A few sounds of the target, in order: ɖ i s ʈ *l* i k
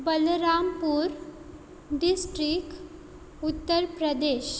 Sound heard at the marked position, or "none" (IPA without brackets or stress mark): ɾ